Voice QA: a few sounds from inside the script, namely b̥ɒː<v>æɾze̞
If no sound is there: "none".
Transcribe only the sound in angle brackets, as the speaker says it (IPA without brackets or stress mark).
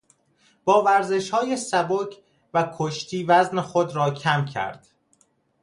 v